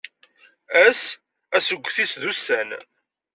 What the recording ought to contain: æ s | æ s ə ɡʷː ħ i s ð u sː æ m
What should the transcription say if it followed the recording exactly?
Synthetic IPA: æ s | æ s ə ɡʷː θ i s ð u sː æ n